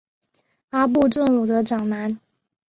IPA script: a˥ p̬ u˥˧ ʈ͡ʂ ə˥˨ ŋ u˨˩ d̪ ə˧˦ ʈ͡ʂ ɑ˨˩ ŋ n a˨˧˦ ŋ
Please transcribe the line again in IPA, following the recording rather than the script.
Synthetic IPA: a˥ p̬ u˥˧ ʈ͡ʂ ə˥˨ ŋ u˨˩ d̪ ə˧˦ ʈ͡ʂ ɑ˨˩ ŋ n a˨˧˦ n